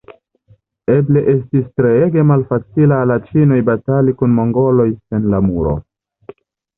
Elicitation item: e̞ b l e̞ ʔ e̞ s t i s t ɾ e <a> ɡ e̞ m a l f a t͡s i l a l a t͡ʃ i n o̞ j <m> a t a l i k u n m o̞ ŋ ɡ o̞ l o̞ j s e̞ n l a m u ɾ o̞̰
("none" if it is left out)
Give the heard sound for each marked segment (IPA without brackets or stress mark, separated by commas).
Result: e, b